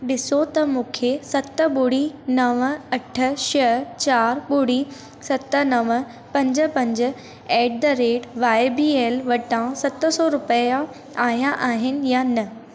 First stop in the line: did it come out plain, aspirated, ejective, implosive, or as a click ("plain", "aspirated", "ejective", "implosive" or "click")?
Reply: implosive